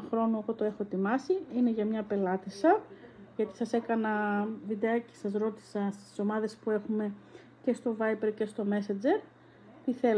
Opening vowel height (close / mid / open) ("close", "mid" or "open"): mid